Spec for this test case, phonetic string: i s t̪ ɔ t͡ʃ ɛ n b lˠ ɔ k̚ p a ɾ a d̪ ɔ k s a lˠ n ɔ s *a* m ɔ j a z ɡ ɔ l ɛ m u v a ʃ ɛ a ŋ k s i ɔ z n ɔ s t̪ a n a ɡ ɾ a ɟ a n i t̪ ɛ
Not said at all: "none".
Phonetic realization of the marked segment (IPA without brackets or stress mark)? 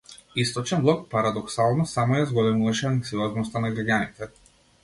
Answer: a